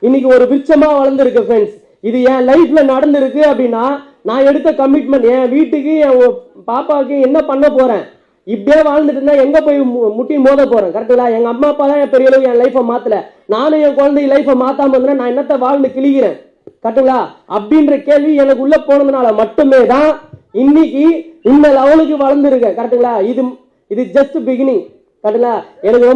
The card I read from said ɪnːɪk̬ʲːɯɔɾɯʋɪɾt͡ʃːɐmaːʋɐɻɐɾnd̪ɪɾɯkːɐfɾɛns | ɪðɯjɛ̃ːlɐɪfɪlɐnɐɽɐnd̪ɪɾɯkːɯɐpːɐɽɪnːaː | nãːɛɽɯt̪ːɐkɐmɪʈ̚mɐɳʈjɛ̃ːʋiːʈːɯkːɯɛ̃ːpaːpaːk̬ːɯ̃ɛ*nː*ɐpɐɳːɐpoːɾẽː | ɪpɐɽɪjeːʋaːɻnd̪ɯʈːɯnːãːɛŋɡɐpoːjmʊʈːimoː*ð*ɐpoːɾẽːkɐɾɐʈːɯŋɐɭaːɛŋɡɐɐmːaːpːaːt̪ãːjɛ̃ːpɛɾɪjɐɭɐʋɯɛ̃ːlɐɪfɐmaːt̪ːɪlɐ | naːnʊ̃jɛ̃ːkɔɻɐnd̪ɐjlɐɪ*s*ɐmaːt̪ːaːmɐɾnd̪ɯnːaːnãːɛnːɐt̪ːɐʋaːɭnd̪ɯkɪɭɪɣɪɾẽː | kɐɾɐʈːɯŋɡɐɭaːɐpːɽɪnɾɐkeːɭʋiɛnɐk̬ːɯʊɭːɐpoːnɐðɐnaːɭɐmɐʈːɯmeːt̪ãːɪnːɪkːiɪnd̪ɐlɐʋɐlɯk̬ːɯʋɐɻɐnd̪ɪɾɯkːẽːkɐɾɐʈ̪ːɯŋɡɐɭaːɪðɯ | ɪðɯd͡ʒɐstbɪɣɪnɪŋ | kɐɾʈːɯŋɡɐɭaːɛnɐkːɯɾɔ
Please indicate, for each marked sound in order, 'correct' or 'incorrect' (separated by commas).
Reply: correct, correct, incorrect